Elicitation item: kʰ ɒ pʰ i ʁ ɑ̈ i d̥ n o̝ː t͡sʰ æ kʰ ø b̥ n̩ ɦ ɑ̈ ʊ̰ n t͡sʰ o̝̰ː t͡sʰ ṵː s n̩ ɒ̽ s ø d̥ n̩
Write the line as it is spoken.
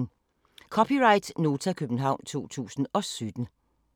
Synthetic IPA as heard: kʰ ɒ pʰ i ʁ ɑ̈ ɪ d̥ n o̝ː t͡sʰ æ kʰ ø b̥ n̩ ɦ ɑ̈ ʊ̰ n t͡sʰ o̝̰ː t͡sʰ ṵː s n̩ ɒ̽ s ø d̥ n̩